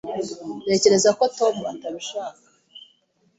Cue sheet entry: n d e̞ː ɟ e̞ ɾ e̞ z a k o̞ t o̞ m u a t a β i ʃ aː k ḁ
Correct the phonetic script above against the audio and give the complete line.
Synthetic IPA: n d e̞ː c e̞ ɾ e̞ z a k o̞ t o̞ m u a t a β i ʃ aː k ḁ